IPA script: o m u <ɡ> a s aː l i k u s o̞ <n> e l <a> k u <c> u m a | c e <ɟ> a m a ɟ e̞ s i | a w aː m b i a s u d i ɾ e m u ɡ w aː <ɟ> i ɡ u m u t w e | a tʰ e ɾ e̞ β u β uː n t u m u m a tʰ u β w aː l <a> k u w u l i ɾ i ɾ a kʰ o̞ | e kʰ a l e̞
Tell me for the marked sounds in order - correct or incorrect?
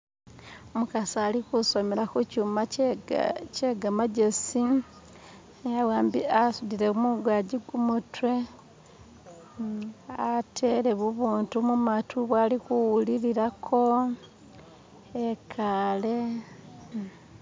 incorrect: k, incorrect: m, correct, correct, incorrect: ɡ, correct, incorrect: i

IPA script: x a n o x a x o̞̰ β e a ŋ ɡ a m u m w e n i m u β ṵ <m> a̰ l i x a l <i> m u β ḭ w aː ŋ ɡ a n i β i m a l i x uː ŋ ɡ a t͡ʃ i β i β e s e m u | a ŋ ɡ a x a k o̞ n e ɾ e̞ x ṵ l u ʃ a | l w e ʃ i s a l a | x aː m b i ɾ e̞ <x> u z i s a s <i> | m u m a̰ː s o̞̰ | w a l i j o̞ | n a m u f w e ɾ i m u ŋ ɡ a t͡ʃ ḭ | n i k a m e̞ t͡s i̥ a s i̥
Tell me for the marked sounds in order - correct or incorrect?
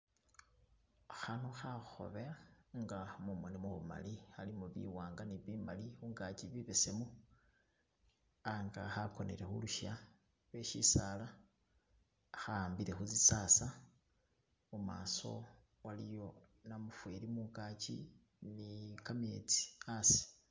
correct, correct, correct, incorrect: a

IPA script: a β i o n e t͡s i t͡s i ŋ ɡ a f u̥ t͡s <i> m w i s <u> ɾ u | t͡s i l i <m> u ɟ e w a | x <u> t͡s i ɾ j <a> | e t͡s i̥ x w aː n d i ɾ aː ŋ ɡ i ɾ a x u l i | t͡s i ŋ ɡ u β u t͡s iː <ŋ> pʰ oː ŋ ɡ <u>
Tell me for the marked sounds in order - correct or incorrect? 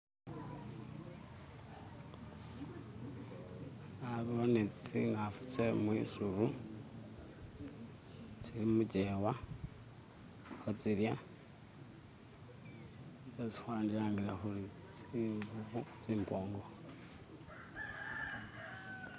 incorrect: e, correct, correct, incorrect: o, correct, incorrect: m, incorrect: o

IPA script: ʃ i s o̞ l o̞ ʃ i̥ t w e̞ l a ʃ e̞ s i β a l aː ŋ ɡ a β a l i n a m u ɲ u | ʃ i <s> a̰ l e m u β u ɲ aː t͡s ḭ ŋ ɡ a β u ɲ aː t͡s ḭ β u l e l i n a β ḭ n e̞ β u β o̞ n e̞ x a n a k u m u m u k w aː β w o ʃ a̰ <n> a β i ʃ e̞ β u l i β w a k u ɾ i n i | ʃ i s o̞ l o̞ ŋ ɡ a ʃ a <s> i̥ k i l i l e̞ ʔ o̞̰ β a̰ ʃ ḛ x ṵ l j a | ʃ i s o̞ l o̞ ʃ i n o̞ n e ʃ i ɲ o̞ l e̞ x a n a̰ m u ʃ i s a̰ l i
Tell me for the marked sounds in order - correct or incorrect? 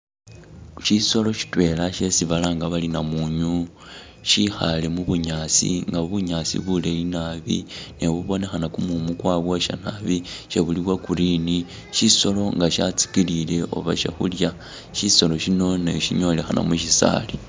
incorrect: x, correct, incorrect: t͡s

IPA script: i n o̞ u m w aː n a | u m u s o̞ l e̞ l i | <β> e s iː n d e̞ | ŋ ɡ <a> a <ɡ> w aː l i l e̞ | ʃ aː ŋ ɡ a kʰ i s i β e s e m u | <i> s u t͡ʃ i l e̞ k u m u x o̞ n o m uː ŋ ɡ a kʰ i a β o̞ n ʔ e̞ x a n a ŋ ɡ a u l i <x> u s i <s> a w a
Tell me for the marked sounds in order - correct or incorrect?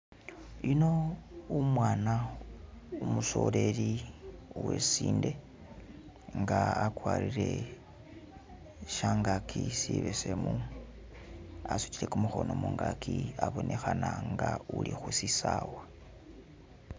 incorrect: w, correct, incorrect: k, incorrect: a, correct, correct

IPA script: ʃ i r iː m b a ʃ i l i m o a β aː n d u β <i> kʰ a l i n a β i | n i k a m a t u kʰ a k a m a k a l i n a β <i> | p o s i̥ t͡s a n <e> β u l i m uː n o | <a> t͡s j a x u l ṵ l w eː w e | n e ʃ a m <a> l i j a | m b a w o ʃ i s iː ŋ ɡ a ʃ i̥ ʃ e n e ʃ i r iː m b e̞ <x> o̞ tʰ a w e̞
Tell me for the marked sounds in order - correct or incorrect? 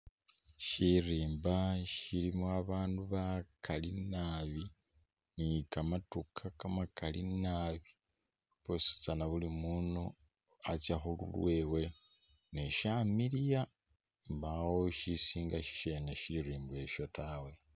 incorrect: a, correct, incorrect: a, correct, incorrect: i, incorrect: ʃ

